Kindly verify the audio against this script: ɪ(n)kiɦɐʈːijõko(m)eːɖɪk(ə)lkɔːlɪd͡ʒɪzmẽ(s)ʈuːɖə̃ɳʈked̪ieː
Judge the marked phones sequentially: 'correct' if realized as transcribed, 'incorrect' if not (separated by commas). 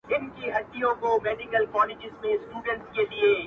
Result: correct, correct, correct, correct